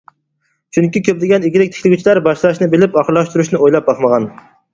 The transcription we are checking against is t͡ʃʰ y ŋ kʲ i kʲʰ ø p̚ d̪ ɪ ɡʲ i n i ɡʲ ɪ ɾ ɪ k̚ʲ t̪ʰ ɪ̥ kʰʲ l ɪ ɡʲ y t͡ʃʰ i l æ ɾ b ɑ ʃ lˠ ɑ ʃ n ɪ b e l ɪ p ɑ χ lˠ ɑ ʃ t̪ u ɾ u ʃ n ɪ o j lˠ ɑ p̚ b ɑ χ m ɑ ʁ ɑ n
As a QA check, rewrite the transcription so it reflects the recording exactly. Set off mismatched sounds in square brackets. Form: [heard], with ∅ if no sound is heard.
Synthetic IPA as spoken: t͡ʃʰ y ŋ kʲ i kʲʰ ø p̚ d̪ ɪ ɡʲ [ɛ] n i ɡʲ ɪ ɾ ɪ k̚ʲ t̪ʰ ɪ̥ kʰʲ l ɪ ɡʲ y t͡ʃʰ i l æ ɾ b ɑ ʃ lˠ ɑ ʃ n ɪ b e l ɪ p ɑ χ lˠ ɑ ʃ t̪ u ɾ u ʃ n ɪ o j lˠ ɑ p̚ b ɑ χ m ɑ ʁ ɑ n